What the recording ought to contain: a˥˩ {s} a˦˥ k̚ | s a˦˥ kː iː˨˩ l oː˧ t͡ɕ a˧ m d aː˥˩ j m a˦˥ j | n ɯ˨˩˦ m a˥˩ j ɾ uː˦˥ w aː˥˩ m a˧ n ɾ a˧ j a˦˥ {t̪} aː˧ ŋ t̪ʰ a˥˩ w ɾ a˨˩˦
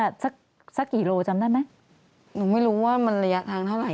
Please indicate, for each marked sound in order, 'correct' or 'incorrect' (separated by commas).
correct, incorrect